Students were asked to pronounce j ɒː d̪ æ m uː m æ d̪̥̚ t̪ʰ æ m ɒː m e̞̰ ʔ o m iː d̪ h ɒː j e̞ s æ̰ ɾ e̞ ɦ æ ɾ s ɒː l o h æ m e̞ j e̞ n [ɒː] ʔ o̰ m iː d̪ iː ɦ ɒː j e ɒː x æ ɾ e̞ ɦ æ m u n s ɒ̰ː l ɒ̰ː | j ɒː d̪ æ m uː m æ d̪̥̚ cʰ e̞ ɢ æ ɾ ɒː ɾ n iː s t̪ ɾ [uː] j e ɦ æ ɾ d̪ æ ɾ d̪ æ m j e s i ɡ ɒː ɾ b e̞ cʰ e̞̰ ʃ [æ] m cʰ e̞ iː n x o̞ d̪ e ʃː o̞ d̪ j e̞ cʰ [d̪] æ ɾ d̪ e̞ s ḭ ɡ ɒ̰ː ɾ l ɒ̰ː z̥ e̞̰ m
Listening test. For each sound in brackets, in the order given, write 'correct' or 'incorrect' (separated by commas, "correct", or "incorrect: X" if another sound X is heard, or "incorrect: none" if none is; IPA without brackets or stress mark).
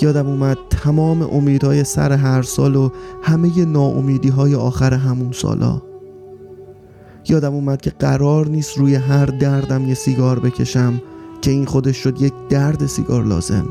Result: correct, correct, correct, correct